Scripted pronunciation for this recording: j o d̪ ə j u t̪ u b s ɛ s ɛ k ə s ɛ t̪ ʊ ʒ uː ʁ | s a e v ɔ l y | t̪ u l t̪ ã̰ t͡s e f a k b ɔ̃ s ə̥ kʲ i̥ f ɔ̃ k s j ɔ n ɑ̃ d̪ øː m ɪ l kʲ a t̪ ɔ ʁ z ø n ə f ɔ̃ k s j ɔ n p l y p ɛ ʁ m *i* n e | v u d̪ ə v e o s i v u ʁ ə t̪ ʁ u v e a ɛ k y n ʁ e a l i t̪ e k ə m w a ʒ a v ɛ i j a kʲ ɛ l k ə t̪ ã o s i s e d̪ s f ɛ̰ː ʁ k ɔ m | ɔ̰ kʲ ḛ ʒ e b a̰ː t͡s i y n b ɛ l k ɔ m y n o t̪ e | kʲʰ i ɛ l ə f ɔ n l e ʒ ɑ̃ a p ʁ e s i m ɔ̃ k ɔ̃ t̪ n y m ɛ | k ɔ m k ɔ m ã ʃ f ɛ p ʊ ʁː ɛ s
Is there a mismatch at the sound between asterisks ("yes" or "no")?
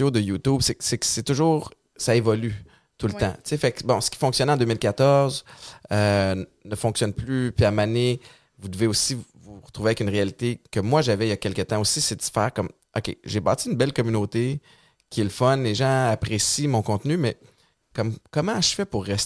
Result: yes